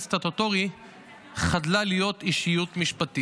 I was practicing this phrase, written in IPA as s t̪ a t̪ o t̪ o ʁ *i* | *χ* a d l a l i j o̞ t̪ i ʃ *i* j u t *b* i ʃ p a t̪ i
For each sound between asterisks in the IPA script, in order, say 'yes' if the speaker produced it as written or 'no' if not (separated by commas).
yes, yes, yes, no